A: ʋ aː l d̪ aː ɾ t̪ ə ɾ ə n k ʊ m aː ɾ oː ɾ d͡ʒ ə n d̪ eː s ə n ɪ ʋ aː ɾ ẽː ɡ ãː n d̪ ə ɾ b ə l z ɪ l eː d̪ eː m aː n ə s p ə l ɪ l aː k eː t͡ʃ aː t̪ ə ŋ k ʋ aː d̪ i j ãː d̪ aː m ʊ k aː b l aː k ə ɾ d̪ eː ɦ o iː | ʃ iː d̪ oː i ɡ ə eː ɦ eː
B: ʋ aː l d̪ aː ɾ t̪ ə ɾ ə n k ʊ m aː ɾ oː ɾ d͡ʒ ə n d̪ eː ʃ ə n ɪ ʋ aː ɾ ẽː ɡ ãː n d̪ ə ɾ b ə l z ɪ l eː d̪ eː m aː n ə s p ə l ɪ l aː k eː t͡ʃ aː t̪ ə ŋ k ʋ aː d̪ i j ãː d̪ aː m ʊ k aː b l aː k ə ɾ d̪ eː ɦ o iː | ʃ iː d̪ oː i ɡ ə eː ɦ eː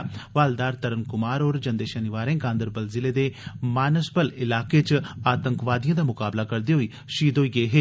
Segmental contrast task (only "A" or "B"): B